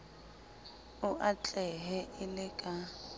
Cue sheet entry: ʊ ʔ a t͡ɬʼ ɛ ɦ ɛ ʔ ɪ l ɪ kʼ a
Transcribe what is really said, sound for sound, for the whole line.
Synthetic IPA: ʊ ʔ a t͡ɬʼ ɛ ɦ ɛ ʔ ɪ l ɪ kʼ a